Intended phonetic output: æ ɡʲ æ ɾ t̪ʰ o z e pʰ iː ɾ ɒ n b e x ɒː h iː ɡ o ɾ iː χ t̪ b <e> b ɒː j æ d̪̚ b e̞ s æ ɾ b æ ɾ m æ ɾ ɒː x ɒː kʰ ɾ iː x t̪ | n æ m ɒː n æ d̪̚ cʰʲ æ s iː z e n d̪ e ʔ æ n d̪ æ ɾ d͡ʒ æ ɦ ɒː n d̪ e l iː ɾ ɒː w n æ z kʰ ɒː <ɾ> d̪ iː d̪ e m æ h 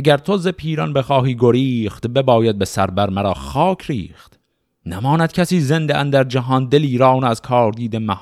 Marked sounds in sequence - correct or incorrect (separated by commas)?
correct, correct